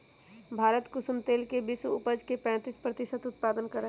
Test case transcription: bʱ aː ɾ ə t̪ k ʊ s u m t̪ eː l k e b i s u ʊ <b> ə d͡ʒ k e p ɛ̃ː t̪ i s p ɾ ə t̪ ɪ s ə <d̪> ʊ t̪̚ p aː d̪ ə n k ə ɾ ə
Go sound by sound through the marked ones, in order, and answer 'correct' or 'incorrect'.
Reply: incorrect, incorrect

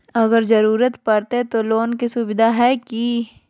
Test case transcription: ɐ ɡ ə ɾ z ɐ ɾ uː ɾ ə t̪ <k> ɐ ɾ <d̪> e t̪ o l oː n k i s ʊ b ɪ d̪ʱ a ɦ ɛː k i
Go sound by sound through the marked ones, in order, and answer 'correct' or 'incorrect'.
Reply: incorrect, incorrect

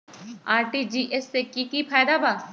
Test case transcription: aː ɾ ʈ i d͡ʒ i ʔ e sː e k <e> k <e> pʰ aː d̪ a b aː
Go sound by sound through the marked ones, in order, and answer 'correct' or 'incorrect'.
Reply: incorrect, incorrect

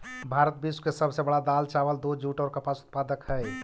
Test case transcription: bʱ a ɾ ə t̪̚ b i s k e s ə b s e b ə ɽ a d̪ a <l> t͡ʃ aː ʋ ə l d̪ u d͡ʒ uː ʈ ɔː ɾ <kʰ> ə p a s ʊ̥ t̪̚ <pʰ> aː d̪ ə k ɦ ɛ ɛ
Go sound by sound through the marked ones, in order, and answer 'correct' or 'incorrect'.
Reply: correct, incorrect, incorrect

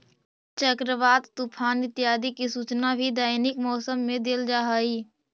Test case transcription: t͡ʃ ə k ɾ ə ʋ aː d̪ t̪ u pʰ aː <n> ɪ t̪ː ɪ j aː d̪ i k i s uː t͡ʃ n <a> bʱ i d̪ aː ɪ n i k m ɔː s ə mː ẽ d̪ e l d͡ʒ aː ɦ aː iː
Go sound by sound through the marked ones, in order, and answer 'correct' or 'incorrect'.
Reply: correct, correct

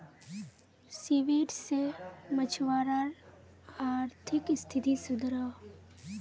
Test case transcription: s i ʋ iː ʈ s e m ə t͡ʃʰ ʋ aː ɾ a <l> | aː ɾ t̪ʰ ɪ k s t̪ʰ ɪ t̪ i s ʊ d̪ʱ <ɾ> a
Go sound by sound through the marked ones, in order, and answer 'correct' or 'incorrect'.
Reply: incorrect, correct

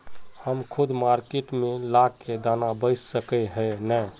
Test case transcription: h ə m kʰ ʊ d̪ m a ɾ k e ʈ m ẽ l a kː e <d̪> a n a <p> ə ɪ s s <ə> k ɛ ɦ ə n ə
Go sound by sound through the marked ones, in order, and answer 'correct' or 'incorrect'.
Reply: correct, incorrect, correct

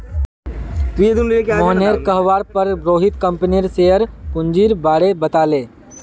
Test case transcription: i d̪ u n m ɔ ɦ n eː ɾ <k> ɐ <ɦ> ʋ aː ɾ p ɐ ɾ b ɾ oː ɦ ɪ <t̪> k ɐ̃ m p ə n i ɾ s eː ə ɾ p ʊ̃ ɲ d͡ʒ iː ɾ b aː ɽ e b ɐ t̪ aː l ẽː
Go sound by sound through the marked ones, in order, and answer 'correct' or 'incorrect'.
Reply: correct, correct, correct

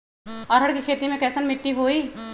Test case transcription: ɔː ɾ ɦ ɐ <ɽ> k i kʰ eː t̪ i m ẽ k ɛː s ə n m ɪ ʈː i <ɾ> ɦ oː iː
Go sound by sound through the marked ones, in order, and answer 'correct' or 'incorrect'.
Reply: correct, incorrect

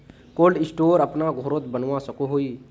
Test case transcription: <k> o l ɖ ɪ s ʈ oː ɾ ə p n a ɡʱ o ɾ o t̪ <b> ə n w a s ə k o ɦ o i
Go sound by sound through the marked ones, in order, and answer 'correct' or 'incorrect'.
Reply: correct, correct

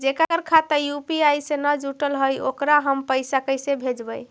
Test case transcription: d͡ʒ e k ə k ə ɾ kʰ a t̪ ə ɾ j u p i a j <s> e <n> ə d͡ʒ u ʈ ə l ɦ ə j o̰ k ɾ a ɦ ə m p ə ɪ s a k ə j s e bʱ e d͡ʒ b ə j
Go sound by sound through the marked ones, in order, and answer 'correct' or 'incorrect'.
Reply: correct, correct

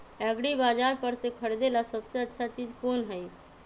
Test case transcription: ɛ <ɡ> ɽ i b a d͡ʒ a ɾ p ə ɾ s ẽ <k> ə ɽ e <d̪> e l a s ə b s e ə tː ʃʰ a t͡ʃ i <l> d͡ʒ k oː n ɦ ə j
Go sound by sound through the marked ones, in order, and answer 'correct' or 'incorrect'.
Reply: correct, incorrect, correct, incorrect

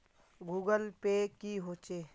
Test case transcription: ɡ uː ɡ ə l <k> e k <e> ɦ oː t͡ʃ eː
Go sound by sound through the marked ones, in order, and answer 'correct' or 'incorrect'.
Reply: incorrect, incorrect

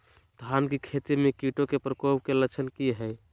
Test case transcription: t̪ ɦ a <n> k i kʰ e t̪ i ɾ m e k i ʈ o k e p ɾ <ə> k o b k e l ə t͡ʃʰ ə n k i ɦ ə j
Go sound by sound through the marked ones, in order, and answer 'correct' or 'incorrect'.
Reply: correct, correct

